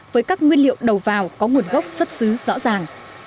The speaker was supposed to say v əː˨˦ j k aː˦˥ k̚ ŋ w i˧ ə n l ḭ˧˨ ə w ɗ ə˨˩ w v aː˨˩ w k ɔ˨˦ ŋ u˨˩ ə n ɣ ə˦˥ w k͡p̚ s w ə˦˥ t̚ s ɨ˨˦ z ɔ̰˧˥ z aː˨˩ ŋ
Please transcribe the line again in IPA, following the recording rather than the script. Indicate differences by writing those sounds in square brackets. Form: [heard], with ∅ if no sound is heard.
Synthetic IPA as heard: v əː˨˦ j k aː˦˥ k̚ ŋ w i˧ ə n l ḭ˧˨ ə w ɗ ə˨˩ w v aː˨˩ w k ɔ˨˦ ŋ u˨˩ ə n ɣ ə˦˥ w k͡p̚ s w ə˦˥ t̚ s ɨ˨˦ z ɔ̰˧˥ z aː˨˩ ŋ

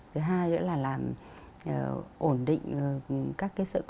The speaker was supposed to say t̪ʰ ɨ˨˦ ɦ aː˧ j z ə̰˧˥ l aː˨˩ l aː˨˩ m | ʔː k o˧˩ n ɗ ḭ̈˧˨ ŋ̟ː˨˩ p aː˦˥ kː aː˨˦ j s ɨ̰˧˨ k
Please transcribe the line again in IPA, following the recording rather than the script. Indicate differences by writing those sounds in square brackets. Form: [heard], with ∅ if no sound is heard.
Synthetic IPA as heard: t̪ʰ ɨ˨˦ ɦ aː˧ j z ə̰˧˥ l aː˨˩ l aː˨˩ m | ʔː [ʔ] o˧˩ n ɗ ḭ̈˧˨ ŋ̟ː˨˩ [k] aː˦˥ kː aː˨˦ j s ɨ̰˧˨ k

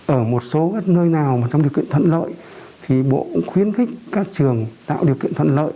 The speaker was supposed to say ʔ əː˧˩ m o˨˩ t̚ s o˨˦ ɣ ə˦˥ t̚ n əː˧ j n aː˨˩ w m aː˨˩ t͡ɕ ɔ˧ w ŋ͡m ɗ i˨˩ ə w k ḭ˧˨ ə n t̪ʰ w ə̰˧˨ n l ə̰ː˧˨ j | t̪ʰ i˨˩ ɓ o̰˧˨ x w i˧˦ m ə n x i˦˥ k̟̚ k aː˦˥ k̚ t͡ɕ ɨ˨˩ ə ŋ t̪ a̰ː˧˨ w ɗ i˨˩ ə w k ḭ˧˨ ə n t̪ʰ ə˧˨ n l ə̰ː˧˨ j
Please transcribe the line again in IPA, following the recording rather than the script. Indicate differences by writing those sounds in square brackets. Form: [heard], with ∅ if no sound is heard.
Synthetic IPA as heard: ʔ əː˧˩ m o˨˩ t̚ s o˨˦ ɣ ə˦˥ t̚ n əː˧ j n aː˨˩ w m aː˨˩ t͡ɕ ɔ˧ w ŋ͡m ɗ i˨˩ ə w k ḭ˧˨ ə n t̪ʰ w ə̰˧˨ n l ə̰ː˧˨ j | t̪ʰ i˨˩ ɓ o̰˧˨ x w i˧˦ [∅] ə n x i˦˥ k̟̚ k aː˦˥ k̚ t͡ɕ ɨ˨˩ ə ŋ t̪ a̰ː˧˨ w ɗ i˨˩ ə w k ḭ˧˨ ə n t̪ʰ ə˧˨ n l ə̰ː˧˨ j

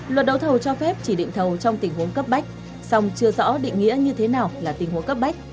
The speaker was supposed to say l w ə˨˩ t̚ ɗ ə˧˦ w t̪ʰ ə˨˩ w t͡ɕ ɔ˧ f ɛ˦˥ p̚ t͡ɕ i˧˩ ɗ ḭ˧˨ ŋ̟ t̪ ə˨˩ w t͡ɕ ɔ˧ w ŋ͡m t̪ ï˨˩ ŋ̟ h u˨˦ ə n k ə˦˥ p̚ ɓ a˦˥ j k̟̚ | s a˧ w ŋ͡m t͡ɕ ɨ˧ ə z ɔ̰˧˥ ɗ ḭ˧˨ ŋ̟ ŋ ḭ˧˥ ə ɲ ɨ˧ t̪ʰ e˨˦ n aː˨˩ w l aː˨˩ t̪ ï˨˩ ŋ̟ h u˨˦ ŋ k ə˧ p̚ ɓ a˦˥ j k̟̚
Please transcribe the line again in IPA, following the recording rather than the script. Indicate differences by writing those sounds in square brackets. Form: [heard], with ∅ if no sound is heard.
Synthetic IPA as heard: l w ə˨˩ t̚ ɗ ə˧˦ w t̪ʰ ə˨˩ w t͡ɕ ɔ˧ f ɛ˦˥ p̚ t͡ɕ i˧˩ ɗ ḭ˧˨ ŋ̟ [t̪ʰ] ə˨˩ w t͡ɕ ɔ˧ w ŋ͡m t̪ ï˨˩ ŋ̟ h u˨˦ ə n k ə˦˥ p̚ ɓ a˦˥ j k̟̚ | s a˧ w ŋ͡m t͡ɕ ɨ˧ ə z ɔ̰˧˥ ɗ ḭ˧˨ ŋ̟ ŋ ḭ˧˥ ə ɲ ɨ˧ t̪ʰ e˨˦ n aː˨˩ w l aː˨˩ t̪ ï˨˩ ŋ̟ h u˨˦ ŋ k [ə˦˥] p̚ ɓ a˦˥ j k̟̚

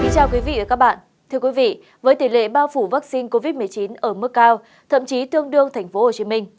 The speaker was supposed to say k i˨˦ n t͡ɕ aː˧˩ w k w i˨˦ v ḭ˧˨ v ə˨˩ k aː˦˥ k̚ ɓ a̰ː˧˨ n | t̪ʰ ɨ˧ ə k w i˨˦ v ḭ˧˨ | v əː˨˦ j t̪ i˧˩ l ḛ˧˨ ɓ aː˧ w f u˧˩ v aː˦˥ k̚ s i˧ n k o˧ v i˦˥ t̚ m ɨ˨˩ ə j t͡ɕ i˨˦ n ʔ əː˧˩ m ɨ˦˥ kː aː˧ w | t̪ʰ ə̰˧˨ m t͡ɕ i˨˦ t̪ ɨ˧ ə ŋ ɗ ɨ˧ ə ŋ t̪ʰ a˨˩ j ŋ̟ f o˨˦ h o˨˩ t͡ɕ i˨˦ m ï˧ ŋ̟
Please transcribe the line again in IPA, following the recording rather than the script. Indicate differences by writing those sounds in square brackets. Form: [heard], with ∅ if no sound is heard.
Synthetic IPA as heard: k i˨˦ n t͡ɕ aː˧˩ w k w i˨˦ v ḭ˧˨ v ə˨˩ k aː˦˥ k̚ ɓ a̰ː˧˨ n | t̪ʰ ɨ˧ ə k w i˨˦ v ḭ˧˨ | v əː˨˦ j t̪ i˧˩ l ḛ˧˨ ɓ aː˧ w f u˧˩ v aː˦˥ k̚ s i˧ n k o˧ v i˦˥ t̚ m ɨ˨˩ ə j t͡ɕ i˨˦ n ʔ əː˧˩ m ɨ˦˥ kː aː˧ w | t̪ʰ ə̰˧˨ m t͡ɕ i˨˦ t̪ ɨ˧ ə ŋ ɗ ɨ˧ ə ŋ t̪ʰ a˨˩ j ŋ̟ f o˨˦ h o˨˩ t͡ɕ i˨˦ m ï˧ ŋ̟

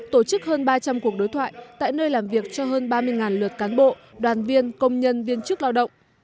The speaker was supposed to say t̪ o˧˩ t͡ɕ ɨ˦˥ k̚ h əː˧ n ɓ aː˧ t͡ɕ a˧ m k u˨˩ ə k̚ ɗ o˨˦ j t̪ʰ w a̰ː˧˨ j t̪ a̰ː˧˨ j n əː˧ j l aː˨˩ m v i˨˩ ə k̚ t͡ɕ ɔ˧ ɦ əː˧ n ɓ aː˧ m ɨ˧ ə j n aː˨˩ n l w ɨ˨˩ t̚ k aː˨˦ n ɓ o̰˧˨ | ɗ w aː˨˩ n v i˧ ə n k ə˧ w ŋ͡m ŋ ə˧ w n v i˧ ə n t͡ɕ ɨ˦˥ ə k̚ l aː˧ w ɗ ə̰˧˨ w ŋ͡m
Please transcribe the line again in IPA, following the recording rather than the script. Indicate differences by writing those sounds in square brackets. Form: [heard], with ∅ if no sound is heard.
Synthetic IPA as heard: t̪ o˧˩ t͡ɕ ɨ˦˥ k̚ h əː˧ n ɓ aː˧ t͡ɕ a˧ m k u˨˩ ə k̚ ɗ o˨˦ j t̪ʰ w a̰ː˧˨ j t̪ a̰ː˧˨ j n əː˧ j l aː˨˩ m v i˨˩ ə k̚ t͡ɕ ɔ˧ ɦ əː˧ n ɓ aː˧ m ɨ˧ ə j [ŋ] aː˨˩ n l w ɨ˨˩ t̚ k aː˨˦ n ɓ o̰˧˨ | ɗ w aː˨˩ n v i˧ ə n k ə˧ w ŋ͡m [ɲ] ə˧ [∅] n v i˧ ə n t͡ɕ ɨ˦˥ ə k̚ l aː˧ w ɗ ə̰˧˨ w ŋ͡m

